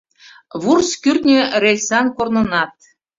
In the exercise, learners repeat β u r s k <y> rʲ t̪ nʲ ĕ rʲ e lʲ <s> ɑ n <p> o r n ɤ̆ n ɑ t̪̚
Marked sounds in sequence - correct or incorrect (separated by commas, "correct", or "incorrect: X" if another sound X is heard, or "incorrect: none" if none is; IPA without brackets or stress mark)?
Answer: correct, correct, incorrect: k